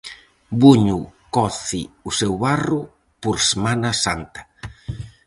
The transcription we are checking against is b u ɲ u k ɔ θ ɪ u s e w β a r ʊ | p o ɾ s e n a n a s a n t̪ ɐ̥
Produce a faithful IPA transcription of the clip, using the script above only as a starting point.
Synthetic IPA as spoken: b u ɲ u k ɔ θ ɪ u s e w β a r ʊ | p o ɾ s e m a n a s a n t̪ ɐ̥

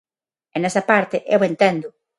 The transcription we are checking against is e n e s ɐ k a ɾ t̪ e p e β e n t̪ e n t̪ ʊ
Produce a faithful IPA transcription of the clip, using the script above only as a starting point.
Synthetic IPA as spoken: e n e s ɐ p a ɾ t̪ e ʔ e w e n t̪ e n d̪ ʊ

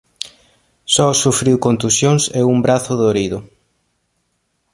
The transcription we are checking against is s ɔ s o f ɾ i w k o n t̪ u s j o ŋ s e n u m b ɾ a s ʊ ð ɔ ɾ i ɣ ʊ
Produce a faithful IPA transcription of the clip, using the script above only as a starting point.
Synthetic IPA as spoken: s ɔ s u f ɾ i w k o n t̪ u s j o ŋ s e u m b ɾ a θ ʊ ð o ɾ i ð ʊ

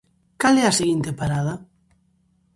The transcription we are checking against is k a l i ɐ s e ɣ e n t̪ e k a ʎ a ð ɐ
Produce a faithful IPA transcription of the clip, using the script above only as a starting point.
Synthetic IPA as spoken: k a l ɛ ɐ s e ɣ i n t̪ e p a ɾ a ð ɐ

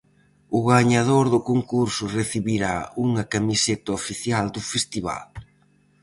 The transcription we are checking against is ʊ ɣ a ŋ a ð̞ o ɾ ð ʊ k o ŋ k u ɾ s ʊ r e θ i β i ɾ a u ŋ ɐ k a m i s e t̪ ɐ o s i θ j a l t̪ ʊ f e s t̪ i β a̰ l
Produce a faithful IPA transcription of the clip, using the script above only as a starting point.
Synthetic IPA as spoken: ʊ ɣ a ɲ a ð̞ o ɾ ð ʊ k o ŋ k u ɾ s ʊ r e θ i β i ɾ a u ŋ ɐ k a m i s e t̪ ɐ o f i θ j a l d̪ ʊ f e s t̪ i β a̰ l

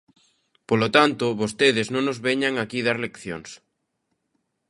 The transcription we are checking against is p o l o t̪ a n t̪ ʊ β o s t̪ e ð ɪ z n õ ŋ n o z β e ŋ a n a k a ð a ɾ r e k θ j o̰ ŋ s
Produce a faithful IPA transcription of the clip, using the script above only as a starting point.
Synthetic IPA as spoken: p o l o t̪ a n t̪ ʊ β o s t̪ e ð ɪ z n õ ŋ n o z β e ɲ a ŋ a k i ð a ɾ l e k θ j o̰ ŋ s

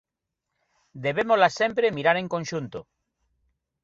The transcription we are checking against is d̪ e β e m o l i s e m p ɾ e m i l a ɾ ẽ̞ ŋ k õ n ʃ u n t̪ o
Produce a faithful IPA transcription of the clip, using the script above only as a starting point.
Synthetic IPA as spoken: d̪ e β e m o l a s e m p ɾ e m i ɾ a ɾ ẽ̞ ŋ k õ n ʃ u n t̪ o

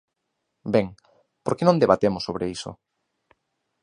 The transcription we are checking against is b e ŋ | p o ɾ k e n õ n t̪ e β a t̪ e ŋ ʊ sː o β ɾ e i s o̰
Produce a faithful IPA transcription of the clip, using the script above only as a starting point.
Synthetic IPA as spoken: b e ŋ | p o ɾ k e n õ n d̪ e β a t̪ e m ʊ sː o β ɾ e i s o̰

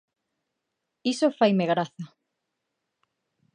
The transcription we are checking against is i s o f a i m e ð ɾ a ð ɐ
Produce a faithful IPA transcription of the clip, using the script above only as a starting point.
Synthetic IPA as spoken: i s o f a j m e ɣ ɾ a θ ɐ

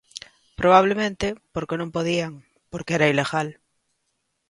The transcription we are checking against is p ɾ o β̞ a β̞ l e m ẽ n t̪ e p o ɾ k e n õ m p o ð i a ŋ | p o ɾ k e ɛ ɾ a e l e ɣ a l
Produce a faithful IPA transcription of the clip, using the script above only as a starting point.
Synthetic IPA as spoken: p ɾ o β̞ a β̞ l e m ẽ n t̪ e p o ɾ k e n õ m p o ð i a ŋ | p o ɾ k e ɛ ɾ a i l e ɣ a l

